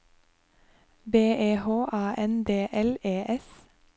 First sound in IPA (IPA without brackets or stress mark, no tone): b